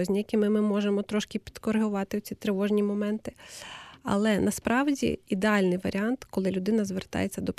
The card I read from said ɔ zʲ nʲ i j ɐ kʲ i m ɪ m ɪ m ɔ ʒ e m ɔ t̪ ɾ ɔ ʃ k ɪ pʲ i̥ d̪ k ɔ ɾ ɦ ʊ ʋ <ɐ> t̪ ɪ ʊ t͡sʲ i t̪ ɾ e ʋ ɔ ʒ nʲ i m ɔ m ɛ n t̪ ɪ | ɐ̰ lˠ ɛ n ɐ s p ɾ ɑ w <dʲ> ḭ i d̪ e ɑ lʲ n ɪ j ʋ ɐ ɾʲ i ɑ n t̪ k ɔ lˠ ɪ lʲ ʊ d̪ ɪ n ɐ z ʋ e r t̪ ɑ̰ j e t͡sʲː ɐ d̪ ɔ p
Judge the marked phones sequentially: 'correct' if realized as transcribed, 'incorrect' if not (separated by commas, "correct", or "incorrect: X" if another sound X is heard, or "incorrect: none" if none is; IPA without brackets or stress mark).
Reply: incorrect: ɑ, correct